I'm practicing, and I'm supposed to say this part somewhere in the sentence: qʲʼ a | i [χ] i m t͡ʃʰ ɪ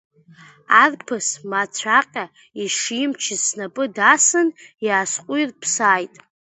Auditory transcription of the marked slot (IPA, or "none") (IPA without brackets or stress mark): ʂ